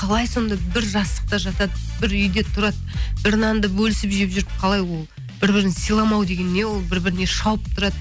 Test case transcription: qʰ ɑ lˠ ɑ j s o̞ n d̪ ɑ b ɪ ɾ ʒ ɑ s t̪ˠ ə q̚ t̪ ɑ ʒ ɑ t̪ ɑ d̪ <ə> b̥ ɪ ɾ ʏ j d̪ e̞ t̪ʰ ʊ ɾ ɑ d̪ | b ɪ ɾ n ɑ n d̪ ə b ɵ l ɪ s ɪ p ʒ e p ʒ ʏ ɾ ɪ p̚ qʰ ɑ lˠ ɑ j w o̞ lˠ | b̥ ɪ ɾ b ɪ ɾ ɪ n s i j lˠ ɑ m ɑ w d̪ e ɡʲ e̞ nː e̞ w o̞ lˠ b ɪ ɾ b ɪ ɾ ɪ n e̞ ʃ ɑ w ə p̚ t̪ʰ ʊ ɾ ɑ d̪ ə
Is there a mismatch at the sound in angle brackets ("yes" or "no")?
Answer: no